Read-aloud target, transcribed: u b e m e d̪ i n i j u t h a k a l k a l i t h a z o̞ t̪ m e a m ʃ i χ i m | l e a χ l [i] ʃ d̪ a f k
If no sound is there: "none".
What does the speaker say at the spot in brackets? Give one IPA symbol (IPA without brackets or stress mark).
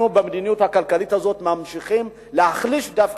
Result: i